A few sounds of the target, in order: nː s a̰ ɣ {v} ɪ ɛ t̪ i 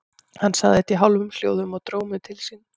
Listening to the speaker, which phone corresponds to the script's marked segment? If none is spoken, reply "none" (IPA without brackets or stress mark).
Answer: ð